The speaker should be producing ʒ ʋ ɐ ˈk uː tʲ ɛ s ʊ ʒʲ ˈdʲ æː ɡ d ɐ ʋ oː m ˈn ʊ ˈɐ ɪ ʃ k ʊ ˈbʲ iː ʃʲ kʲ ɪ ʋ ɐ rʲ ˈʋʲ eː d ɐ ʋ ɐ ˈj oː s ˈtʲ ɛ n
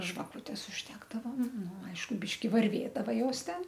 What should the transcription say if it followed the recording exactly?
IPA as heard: ʒ ʋ ɐ ˈk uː tʲ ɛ s ʊ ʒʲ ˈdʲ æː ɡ d ɐ ʋ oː m ˈn ʊ ˈɐ ɪ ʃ k ʊ ˈbʲ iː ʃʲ kʲ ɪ ʋ ɐ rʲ ˈʋʲ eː d ɐ ʋ ɐ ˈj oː s ˈtʲ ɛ n